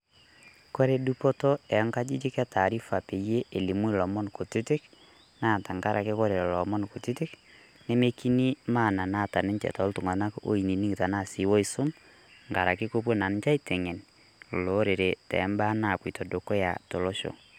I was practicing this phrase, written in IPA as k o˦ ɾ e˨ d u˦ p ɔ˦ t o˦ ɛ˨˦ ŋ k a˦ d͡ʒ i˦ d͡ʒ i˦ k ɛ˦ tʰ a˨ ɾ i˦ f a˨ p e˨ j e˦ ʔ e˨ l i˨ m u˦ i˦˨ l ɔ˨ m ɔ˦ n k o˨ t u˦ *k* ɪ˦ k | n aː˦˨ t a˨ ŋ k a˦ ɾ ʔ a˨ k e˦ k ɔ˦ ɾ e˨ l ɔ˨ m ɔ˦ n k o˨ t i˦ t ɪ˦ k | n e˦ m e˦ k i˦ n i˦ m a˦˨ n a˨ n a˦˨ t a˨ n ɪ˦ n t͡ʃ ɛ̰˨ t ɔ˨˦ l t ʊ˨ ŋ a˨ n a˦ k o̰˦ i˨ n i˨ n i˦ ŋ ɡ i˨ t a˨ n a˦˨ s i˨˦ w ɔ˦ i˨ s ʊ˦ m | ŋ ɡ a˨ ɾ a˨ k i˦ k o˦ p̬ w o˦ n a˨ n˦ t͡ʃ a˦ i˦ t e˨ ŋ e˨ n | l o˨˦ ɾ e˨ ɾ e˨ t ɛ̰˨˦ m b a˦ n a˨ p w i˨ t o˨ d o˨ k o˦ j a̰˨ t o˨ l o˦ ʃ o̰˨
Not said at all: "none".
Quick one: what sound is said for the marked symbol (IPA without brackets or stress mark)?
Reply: t